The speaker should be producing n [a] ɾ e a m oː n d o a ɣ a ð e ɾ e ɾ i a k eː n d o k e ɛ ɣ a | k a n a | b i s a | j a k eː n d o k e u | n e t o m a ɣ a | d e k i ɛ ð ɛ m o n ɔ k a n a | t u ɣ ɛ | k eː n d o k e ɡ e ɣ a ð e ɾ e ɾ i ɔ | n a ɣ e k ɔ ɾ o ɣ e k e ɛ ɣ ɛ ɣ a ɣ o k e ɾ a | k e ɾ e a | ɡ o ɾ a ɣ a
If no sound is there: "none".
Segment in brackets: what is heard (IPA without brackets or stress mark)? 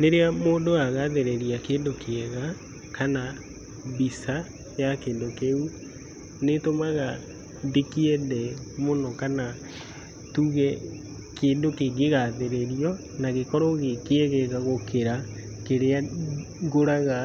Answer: e